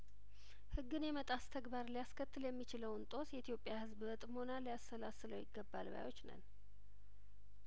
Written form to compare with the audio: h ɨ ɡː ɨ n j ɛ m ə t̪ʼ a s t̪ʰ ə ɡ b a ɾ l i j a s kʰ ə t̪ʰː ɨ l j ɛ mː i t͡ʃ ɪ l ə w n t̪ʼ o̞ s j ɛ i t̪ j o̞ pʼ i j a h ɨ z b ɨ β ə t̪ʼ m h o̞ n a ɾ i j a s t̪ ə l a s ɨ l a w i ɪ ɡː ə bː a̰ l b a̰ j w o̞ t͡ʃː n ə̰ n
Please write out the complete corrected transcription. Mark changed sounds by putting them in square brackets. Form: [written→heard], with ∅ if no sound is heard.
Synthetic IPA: h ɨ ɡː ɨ n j ɛ m ə t̪ʼ a s t̪ʰ ə ɡ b a ɾ l i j a s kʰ ə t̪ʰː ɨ l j ɛ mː i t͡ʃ ɪ l ə w n t̪ʼ o̞ s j ɛ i t̪ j o̞ pʼ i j a h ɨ z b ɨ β ə t̪ʼ m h o̞ n a [ɾ→l] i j a s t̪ ə l a s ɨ l [a→ə] w [i→j] ɪ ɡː ə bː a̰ l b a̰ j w o̞ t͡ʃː n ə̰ n